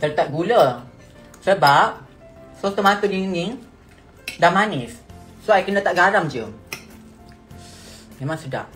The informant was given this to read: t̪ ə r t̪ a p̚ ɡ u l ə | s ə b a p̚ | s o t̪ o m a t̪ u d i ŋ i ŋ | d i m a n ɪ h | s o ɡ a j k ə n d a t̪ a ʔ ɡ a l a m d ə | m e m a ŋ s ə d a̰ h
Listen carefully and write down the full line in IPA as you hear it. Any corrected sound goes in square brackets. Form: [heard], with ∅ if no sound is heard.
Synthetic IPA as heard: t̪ ə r t̪ a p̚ ɡ u l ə | s ə b a p̚ | s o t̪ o m a t̪ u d i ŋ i ŋ | d [a] m a n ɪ [s] | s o [∅] a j k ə n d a t̪ a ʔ ɡ a [ɾ] a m [d͡ʒ] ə | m e m a ŋ s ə d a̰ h